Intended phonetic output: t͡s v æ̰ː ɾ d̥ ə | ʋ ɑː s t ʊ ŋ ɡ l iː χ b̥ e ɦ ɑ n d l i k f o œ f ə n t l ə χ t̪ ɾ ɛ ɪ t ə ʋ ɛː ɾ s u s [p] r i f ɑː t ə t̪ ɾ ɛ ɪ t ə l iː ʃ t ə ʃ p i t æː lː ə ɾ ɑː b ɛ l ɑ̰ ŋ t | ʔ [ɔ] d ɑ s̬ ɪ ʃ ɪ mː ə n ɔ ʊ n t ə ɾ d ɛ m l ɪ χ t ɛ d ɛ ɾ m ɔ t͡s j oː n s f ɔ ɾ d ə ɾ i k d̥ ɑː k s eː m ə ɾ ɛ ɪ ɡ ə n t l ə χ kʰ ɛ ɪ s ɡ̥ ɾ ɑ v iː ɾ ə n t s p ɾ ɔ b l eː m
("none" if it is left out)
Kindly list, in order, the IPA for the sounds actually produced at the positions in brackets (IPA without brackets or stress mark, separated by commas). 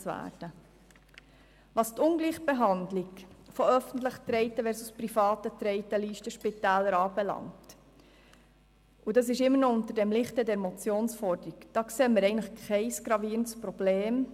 p, u